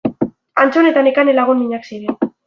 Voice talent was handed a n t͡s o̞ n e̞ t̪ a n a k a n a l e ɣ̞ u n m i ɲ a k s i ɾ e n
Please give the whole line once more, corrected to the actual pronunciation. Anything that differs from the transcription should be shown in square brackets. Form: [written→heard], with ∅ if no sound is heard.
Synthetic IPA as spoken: a n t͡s o̞ n e̞ t̪ a n [a→e] k a n [a→e] l [e→a] ɣ̞ u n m i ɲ a k s i ɾ e n